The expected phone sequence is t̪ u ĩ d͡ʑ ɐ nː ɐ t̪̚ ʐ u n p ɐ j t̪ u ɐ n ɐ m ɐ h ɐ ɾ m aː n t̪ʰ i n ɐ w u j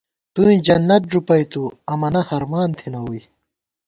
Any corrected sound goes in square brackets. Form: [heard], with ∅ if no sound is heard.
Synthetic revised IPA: t̪ u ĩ d͡ʑ ɐ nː ɐ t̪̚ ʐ u [∅] p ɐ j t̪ u ɐ [m] ɐ [n] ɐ h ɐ ɾ m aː n t̪ʰ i n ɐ w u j

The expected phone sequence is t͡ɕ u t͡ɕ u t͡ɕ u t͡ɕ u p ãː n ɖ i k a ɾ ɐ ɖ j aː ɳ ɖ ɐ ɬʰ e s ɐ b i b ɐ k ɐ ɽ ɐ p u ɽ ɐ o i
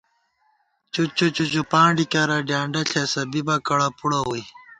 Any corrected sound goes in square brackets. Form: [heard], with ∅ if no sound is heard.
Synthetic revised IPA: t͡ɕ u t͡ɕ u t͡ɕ u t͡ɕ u p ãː [ɳ] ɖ i k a ɾ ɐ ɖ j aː ɳ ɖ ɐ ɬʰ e s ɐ b i b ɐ k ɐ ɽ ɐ p u ɽ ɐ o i

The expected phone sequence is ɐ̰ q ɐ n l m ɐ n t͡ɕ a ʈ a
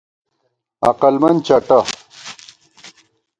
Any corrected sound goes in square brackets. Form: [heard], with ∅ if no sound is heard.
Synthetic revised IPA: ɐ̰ q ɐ [∅] l m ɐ n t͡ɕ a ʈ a

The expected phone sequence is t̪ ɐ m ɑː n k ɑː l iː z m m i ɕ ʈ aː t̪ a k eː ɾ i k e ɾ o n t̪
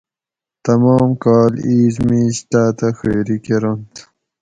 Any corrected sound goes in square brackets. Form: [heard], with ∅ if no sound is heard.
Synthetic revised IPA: t̪ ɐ m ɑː [m] k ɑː l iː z m m i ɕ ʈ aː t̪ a [x] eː ɾ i k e ɾ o n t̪

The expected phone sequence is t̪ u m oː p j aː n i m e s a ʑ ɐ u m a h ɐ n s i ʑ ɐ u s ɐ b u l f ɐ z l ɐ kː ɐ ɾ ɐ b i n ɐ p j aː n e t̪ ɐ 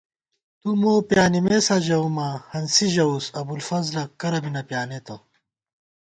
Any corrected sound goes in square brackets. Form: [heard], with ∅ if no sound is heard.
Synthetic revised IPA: t̪ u m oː p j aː n i m e s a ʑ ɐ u m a h ɐ n s i ʑ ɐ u s ɐ b u l f ɐ z l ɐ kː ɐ ɾ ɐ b i n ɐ p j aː n e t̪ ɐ

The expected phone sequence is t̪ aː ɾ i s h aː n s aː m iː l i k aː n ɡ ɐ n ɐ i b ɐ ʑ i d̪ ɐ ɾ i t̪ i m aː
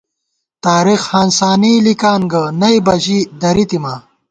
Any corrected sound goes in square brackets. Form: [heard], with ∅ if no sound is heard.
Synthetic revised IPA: t̪ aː ɾ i [x] h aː n s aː [n] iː l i k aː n ɡ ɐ n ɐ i b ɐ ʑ i d̪ ɐ ɾ i t̪ i m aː

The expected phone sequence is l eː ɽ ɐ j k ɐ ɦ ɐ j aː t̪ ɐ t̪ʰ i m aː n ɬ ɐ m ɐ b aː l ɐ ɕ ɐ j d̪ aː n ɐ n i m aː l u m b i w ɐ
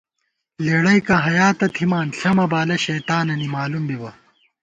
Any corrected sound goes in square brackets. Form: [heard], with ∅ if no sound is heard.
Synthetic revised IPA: l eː ɽ ɐ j k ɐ ɦ ɐ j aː t̪ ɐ t̪ʰ i m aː n ɬ ɐ m ɐ b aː l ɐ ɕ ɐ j [t̪] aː n ɐ n i m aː l u m b i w ɐ

